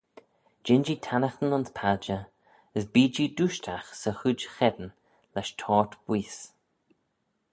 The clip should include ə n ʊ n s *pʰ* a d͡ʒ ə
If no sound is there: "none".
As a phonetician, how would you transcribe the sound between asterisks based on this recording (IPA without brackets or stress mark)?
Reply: pʰ